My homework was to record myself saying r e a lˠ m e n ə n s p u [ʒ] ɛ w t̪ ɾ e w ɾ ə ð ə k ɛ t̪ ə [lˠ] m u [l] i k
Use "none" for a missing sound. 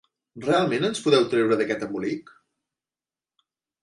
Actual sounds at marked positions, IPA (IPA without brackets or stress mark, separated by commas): ð, none, l